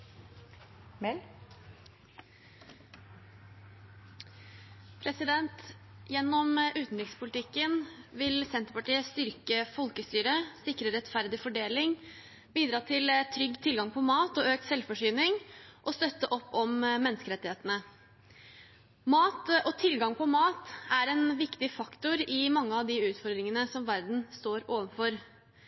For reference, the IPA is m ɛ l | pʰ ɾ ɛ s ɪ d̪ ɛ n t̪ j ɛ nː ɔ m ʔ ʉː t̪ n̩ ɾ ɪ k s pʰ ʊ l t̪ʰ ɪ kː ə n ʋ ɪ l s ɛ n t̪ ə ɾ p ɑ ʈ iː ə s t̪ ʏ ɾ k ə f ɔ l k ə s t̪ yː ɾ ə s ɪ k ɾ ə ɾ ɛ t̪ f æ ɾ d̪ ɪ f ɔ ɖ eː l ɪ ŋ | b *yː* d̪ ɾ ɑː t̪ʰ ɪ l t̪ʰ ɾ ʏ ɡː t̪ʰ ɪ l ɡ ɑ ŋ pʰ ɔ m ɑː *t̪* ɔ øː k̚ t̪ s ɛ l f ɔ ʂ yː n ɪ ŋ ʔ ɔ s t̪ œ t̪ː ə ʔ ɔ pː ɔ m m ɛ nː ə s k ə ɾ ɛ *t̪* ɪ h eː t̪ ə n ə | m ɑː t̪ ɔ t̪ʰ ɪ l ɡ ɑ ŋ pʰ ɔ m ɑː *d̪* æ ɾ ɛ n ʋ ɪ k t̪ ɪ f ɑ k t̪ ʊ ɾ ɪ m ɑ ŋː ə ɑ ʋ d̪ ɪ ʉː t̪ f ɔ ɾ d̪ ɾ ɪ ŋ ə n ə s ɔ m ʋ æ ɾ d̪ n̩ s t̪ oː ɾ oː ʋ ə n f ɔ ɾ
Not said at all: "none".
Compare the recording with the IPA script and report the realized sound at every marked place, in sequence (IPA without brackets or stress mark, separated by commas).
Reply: iː, t̪, t̪, t̪